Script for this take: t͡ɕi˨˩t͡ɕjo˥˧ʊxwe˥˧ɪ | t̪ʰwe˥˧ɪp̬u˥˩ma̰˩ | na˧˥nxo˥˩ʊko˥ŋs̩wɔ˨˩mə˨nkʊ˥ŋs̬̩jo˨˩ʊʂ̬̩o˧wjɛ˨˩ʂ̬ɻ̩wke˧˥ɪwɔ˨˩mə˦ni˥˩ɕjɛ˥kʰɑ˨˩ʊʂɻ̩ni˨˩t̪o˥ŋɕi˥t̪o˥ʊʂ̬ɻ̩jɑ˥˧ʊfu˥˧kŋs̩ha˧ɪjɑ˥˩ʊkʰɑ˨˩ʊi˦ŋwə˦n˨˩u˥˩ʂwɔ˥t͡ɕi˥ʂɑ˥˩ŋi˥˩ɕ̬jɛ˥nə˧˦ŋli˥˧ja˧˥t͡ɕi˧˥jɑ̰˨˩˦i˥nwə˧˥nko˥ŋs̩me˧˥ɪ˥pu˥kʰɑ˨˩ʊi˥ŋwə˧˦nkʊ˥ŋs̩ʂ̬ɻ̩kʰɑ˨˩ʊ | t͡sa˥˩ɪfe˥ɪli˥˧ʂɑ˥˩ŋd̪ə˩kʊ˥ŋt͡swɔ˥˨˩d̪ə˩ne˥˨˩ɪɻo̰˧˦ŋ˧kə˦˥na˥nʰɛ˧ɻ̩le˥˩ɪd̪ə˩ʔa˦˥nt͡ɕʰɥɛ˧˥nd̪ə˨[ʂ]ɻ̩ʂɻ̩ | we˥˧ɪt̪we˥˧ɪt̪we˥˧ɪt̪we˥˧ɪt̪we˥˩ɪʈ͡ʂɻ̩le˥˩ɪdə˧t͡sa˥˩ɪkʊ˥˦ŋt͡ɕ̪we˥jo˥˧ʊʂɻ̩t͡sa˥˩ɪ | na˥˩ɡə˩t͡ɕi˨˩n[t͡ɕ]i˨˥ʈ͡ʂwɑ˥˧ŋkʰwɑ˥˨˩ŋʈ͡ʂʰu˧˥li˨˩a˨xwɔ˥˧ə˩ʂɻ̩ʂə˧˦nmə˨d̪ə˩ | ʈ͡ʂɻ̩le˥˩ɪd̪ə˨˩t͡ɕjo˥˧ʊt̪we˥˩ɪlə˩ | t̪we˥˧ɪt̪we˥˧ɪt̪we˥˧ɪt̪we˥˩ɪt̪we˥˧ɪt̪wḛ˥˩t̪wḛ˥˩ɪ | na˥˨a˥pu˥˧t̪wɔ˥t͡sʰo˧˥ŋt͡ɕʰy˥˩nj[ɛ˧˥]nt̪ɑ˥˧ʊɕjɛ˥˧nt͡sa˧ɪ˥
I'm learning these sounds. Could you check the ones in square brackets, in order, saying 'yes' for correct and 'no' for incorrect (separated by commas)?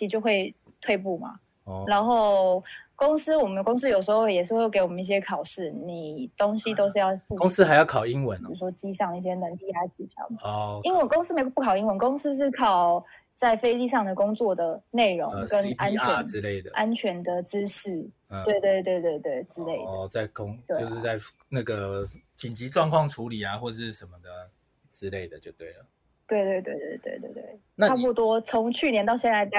no, yes, no